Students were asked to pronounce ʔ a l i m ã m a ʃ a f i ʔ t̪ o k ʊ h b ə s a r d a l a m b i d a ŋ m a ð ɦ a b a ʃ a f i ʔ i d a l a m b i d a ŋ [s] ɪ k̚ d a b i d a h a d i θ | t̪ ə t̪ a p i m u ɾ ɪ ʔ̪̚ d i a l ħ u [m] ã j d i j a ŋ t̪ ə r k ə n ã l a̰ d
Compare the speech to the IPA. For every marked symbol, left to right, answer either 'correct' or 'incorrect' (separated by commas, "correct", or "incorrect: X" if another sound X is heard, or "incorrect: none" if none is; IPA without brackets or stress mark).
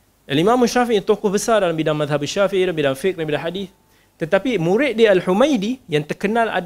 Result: incorrect: f, correct